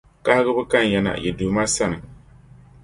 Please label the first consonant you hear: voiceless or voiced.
voiceless